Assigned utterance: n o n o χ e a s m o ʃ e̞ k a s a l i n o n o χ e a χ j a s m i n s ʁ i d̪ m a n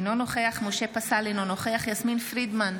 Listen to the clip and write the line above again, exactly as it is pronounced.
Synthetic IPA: n o n o χ e a χ m o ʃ e̞ p a s a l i n o n o χ e a χ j a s m i n f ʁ i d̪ m a n